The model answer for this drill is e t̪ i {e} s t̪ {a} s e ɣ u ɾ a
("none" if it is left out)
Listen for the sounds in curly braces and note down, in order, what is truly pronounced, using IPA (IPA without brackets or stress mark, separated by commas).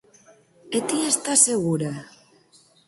e, a